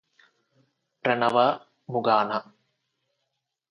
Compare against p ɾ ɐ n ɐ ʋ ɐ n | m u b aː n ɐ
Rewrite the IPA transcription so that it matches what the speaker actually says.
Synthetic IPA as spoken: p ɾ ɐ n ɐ ʋ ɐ | m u ɡ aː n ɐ